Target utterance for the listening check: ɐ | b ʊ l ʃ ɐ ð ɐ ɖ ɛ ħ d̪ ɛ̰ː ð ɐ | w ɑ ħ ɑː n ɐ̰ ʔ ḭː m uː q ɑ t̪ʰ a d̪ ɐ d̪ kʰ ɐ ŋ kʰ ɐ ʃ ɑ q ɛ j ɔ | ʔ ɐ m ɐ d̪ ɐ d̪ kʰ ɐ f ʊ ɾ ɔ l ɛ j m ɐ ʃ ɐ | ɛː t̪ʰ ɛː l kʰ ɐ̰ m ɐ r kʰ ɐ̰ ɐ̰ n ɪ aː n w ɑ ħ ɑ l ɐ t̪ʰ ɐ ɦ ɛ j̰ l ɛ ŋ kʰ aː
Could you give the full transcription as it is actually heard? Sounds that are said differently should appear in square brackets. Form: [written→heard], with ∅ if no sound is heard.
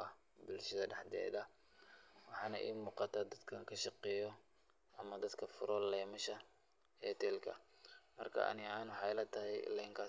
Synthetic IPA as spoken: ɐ | b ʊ l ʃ ɐ ð ɐ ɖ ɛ ħ d̪ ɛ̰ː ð ɐ | w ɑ ħ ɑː n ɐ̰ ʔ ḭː m uː q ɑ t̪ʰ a d̪ ɐ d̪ kʰ ɐ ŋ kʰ ɐ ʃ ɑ q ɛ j ɔ | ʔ ɐ m ɐ d̪ ɐ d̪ kʰ ɐ f ʊ ɾ ɔ l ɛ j m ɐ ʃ ɐ | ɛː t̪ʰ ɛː l kʰ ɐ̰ m ɐ r kʰ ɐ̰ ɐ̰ n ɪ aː n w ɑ ħ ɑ l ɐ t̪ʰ ɐ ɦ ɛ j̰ l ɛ ŋ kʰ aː